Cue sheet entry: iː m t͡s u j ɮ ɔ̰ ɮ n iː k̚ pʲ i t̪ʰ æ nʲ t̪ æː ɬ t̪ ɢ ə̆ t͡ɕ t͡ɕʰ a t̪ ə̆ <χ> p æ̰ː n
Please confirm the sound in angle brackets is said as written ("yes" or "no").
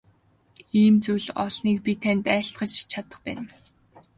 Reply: yes